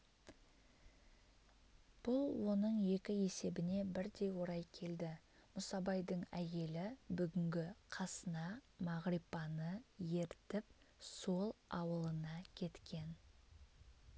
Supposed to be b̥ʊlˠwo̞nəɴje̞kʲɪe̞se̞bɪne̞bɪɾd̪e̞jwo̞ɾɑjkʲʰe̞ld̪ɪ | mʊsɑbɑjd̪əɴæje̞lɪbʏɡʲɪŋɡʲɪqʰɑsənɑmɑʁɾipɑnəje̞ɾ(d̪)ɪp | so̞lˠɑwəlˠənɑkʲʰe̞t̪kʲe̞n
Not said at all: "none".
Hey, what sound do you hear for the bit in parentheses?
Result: t̪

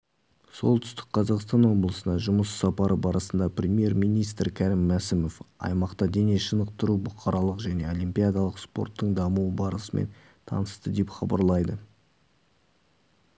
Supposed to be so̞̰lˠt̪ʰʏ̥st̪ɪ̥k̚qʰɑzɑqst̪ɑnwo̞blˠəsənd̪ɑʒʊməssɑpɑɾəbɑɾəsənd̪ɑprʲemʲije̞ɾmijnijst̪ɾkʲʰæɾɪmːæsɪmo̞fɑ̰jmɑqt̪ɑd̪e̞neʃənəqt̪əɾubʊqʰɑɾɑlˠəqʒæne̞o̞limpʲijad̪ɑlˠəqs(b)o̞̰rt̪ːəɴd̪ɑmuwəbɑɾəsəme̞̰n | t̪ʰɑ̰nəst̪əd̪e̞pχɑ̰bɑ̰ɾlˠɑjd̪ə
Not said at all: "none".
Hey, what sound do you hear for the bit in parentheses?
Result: p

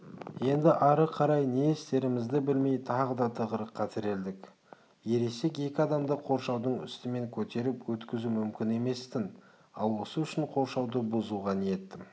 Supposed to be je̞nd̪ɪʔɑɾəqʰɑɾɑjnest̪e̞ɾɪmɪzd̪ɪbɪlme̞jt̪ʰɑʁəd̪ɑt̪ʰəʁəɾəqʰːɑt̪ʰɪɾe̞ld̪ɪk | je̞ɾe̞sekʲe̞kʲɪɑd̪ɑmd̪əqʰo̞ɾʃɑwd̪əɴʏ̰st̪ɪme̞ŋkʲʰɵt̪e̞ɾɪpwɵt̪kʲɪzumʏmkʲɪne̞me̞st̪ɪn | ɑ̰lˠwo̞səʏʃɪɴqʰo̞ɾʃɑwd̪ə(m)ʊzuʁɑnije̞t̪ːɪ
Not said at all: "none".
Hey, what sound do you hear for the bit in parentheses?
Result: b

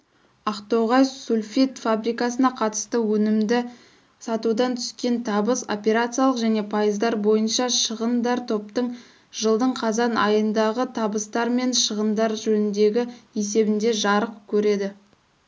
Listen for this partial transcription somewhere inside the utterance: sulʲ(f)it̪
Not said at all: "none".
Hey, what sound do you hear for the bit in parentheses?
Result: f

